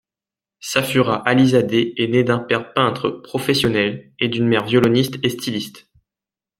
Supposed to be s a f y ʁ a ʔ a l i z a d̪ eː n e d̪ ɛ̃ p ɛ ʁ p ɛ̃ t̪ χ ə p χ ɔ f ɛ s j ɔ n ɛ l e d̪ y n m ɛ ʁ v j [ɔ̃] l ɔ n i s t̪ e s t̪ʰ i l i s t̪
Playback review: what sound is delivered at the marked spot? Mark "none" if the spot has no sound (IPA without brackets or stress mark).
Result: ɔ